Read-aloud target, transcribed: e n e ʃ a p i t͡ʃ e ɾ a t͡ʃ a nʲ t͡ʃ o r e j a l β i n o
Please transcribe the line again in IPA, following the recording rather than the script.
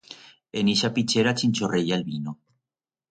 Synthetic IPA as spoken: e n i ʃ a p i t͡ʃ e ɾ a t͡ʃ i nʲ t͡ʃ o r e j a l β i n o